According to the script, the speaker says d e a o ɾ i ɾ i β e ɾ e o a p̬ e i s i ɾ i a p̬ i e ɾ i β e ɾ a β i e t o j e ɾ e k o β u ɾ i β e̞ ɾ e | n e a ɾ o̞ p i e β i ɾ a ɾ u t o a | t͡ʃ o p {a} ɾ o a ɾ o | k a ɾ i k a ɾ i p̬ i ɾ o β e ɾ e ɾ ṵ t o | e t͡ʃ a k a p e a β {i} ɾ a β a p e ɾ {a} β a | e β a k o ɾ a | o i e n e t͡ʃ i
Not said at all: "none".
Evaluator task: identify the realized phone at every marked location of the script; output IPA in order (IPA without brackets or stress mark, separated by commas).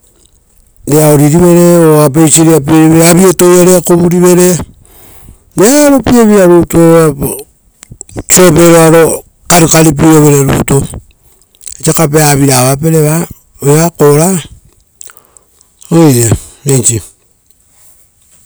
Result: e, i, e